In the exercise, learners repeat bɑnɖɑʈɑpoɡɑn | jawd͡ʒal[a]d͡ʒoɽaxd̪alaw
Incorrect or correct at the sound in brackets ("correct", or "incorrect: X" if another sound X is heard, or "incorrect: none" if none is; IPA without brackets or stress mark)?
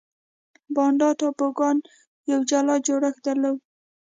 incorrect: ɑ